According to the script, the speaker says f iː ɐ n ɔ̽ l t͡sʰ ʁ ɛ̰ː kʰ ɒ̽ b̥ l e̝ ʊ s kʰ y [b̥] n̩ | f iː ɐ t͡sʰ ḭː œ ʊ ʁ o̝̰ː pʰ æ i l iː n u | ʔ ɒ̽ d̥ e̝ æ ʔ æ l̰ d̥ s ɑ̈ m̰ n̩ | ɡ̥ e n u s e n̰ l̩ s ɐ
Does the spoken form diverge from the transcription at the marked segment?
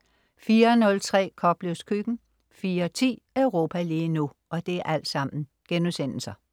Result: yes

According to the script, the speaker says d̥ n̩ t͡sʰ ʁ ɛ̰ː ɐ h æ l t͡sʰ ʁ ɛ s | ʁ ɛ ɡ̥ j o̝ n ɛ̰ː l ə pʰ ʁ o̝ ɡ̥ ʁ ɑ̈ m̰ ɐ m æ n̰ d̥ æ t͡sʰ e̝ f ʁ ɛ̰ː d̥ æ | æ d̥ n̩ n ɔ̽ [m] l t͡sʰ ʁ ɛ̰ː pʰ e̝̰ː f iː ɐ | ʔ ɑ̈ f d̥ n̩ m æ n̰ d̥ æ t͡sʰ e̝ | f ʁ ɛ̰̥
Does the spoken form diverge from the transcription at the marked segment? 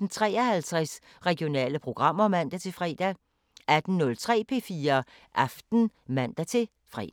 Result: yes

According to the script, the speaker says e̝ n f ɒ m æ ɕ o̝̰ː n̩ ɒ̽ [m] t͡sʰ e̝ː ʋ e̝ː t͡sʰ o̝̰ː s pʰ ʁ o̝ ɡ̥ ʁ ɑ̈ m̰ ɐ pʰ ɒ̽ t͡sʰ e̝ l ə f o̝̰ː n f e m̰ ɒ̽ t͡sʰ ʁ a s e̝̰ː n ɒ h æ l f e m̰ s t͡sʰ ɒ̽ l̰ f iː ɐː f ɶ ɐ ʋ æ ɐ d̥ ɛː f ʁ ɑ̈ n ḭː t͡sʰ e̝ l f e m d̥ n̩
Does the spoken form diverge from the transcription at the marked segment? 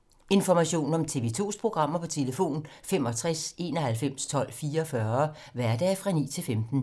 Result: no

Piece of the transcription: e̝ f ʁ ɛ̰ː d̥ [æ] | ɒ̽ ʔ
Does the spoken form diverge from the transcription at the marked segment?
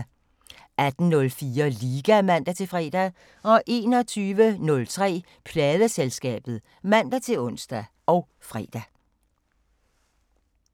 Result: no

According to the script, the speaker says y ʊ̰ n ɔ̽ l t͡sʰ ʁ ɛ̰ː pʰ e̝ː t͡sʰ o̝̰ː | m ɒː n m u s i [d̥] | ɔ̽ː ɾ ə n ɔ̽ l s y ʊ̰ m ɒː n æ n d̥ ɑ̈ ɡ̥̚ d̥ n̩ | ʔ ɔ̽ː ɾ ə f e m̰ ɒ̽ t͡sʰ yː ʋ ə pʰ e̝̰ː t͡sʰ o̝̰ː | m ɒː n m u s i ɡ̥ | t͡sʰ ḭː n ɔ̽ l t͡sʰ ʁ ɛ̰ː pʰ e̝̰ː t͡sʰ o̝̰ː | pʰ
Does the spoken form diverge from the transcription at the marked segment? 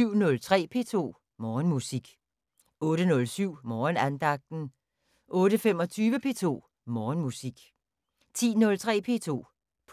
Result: yes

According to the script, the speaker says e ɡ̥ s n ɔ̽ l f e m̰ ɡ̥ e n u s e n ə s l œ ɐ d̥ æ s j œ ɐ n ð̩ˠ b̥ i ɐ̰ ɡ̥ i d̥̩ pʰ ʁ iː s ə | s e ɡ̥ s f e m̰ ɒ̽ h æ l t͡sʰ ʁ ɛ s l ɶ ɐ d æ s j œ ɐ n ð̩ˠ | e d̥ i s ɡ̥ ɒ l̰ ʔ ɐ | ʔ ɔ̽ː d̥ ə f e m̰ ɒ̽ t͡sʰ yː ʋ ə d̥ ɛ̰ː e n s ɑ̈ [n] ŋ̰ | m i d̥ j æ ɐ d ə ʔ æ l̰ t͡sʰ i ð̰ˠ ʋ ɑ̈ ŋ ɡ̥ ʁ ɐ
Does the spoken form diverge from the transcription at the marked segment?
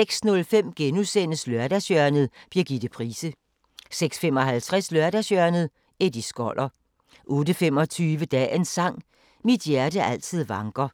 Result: yes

